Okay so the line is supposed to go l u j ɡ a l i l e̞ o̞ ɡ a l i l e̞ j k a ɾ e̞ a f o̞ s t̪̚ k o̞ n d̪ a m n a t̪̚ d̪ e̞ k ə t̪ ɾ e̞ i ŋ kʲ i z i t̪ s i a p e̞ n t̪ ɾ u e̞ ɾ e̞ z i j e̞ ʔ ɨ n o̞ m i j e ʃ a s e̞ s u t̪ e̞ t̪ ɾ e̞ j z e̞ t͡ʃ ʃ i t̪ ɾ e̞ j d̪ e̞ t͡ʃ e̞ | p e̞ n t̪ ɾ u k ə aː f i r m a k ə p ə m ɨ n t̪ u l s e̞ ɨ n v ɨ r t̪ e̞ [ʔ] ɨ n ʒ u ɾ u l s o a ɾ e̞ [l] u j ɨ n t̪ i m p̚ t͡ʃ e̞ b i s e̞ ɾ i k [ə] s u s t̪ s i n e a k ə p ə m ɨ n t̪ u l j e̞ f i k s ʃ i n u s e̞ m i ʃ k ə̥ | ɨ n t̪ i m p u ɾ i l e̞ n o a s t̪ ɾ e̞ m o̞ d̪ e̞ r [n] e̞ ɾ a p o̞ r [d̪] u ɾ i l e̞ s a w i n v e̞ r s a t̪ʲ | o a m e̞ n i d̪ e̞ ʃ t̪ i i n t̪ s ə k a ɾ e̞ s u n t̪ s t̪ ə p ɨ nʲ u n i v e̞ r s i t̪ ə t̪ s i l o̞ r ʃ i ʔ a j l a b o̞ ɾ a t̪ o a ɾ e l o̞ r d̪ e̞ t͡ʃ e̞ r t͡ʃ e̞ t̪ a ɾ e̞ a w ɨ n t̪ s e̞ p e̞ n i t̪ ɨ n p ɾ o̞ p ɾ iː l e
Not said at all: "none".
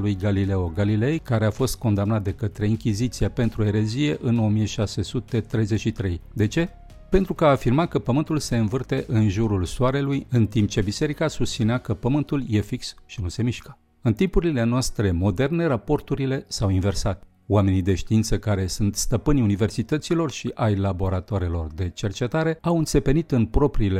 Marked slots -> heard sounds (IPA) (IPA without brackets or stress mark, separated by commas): ʔ, l, a, n, t̪